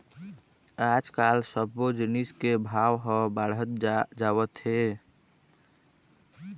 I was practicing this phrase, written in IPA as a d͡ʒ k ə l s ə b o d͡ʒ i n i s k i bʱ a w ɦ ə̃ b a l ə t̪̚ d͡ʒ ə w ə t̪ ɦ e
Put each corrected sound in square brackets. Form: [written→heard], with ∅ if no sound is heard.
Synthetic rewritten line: a d͡ʒ k [ə→a] l s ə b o d͡ʒ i n i s k [i→e] bʱ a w ɦ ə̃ b a [l→ɽ] ə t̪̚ d͡ʒ [ə→a] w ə t̪ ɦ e